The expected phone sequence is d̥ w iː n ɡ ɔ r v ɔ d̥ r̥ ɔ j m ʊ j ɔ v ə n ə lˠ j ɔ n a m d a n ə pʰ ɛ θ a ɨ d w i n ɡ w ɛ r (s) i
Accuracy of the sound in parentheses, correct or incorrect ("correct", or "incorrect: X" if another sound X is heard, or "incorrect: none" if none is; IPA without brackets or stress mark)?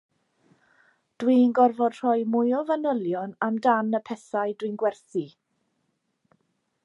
incorrect: θ